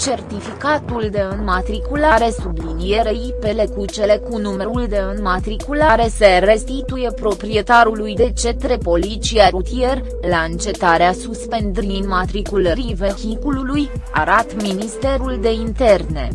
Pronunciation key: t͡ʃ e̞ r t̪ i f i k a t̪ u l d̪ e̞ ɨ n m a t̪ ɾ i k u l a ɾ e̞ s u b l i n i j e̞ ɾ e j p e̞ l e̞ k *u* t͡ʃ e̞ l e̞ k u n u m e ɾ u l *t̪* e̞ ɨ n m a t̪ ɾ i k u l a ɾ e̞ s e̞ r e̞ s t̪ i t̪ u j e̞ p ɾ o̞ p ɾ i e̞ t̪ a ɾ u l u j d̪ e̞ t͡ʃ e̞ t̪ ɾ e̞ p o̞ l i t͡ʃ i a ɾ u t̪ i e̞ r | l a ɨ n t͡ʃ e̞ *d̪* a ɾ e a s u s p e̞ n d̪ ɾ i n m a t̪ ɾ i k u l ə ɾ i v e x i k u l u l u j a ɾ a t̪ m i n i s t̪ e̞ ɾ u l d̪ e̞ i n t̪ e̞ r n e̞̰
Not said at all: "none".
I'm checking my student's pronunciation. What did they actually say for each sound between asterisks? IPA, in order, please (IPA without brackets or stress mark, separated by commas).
u, d̪, t̪